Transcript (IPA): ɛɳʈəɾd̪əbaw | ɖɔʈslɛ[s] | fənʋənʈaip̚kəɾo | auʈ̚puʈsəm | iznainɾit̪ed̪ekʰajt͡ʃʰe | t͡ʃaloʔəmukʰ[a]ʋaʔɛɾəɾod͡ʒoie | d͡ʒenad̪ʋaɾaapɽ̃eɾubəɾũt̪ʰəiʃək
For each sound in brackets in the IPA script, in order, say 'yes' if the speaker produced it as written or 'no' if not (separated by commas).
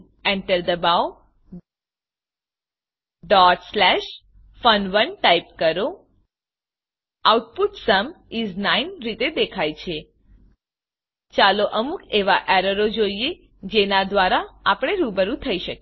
no, no